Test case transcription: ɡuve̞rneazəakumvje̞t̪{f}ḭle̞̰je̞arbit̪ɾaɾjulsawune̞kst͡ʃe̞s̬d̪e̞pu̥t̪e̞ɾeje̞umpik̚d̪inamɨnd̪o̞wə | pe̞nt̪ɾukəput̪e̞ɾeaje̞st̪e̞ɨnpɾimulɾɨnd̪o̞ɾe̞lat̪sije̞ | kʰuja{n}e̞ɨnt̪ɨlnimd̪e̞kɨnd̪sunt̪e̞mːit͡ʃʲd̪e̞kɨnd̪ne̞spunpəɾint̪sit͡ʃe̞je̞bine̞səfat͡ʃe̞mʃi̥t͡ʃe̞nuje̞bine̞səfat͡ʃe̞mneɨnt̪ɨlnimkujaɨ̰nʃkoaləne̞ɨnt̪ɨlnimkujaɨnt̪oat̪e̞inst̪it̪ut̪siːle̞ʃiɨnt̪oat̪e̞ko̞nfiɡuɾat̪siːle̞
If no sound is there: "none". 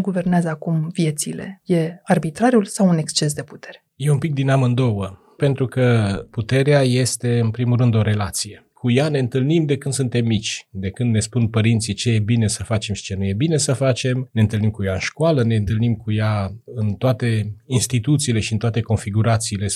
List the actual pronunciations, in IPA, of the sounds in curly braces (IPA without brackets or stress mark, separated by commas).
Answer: s, n